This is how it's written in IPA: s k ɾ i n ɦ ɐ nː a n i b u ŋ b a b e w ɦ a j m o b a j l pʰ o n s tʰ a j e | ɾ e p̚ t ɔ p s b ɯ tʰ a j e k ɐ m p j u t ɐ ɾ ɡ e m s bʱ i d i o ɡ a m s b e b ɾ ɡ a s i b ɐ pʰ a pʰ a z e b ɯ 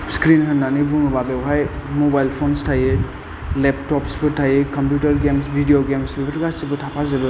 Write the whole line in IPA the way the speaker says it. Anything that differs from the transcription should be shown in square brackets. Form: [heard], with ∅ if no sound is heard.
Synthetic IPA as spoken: s k ɾ i n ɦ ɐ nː a n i b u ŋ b a b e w ɦ a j m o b a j l pʰ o n s tʰ a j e | [l] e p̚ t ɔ p s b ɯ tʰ a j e k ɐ m p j u t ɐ ɾ ɡ e m s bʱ i d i o ɡ [e] m s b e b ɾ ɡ a s i b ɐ [tʰ] a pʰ a z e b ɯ